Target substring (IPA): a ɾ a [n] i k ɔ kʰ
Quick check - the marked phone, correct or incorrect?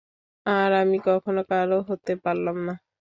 incorrect